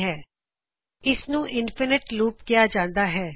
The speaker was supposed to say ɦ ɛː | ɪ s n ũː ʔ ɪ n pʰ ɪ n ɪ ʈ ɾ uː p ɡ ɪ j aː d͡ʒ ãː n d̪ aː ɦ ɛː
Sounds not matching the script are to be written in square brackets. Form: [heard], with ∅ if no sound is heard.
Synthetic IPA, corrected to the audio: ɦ ɛː | ɪ s n ũː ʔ ɪ n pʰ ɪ n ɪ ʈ [l] uː p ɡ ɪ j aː d͡ʒ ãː n d̪ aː ɦ ɛː